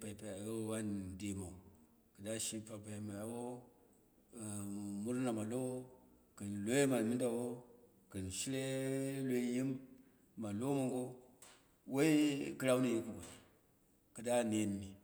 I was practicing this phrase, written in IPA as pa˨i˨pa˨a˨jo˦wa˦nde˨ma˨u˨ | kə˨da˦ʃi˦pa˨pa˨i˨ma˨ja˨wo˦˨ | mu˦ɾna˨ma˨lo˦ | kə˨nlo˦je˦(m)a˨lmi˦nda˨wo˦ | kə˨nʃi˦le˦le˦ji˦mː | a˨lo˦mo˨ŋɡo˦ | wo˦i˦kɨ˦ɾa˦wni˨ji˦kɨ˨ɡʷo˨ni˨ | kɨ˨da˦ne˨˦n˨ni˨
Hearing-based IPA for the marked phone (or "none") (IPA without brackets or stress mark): m